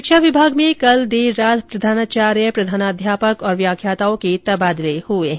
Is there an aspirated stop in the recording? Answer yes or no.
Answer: yes